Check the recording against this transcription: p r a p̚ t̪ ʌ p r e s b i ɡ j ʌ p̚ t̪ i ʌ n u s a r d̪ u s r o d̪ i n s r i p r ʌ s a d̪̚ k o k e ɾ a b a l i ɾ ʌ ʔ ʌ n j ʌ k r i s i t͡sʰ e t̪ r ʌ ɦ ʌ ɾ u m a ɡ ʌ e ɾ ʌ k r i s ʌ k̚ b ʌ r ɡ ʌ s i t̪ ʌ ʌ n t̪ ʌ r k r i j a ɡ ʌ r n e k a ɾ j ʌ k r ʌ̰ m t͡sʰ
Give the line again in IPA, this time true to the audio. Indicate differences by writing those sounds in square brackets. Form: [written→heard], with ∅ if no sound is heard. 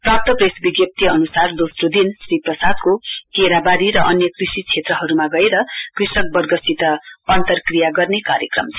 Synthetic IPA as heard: p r a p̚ t̪ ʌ p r e s b i ɡ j ʌ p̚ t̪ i ʌ n u s a r d̪ [u→o] s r o d̪ i n s r i p r ʌ s a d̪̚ k o k e ɾ a b a [l→ɾ] i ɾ ʌ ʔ ʌ n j ʌ k r i s i t͡sʰ e t̪ r ʌ ɦ ʌ ɾ u m a ɡ ʌ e ɾ ʌ k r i s ʌ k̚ b ʌ r ɡ ʌ s i t̪ ʌ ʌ n t̪ ʌ r k r i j a ɡ ʌ r n e k a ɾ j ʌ k r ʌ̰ m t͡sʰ